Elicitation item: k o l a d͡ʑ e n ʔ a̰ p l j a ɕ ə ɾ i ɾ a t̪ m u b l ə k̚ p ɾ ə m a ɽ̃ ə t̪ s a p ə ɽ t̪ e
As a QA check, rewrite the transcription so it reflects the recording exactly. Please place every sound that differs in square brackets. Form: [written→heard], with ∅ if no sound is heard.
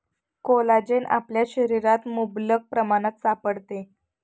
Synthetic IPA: k o l a d͡ʑ e n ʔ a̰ p l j a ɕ ə ɾ i ɾ a t̪ m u b l ə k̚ p ɾ ə m a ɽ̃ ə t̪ s a p ə ɽ t̪ e